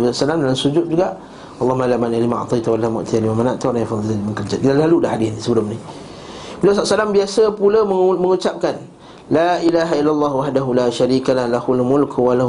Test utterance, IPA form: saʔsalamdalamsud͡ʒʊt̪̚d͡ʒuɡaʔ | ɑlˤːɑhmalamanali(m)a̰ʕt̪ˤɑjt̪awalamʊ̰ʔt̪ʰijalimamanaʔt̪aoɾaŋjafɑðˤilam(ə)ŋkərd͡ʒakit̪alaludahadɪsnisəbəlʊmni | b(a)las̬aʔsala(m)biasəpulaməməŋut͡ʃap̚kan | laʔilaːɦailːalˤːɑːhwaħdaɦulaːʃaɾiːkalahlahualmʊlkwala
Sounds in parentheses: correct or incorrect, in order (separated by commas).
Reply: correct, correct, incorrect, correct